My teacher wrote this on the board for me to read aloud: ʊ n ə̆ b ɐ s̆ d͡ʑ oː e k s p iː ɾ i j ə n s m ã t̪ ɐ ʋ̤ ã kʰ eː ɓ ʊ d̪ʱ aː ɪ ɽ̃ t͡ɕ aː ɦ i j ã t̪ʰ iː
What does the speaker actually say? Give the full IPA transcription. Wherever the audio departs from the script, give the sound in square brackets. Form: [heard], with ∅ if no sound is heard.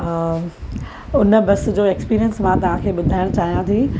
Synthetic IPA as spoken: ʊ n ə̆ b ɐ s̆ d͡ʑ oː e k s p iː ɾ i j ə n s m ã t̪ ɐ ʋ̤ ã kʰ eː ɓ ʊ d̪ʱ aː ɪ ɽ̃ t͡ɕ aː ɦ i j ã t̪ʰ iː